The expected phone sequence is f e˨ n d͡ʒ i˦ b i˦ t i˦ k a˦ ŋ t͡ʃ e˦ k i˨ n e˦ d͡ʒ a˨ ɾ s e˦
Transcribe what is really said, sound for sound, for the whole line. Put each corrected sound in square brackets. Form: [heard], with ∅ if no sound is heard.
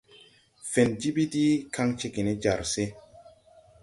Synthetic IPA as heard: f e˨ n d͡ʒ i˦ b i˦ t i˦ k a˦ ŋ t͡ʃ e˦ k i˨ n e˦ d͡ʒ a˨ ɾ s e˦